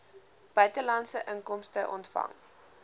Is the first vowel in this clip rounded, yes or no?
yes